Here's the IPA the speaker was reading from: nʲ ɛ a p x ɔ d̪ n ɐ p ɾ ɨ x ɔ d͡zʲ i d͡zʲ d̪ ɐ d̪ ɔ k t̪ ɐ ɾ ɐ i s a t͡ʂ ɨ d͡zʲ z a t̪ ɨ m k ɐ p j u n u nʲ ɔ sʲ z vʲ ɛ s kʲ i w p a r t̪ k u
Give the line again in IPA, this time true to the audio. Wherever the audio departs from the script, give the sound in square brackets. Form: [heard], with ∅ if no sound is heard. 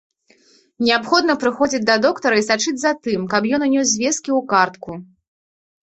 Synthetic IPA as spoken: nʲ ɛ a p x ɔ d̪ n ɐ p ɾ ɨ x ɔ d͡zʲ i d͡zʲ d̪ ɐ d̪ ɔ k t̪ ɐ ɾ ɐ i s a t͡ʂ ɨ d͡zʲ z a t̪ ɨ m k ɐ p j [ɔ] n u nʲ ɔ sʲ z vʲ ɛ s kʲ i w [k] a r t̪ k u